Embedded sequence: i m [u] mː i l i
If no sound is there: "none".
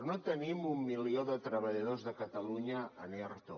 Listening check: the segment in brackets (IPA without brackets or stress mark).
u